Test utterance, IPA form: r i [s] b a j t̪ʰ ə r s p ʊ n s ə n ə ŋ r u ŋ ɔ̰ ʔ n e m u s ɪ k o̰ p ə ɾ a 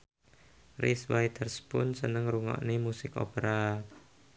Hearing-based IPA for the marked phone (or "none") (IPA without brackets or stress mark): s